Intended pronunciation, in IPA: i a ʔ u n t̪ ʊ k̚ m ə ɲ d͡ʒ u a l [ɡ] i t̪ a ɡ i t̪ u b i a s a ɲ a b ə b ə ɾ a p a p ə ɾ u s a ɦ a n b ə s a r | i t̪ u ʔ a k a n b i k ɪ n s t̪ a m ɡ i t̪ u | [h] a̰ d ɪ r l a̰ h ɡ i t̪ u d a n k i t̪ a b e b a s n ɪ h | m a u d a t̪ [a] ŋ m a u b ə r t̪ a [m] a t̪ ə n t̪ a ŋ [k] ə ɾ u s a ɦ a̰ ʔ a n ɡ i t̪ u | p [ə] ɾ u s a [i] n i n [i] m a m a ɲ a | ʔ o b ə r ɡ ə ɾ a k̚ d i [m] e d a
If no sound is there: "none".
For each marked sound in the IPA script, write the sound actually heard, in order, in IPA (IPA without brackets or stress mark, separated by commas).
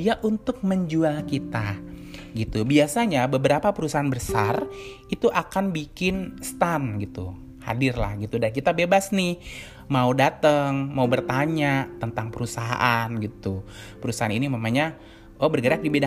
k, h, ə, ɲ, p, ə, a, i, b